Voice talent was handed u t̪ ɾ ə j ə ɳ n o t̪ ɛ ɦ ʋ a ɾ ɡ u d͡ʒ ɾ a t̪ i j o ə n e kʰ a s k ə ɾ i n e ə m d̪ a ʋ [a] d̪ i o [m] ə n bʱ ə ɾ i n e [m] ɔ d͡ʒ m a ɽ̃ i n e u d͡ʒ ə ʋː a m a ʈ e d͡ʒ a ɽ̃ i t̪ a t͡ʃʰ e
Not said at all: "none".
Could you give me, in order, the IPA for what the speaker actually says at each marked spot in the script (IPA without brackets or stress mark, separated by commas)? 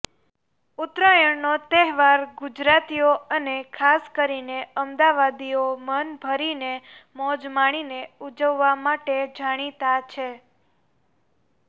a, m, m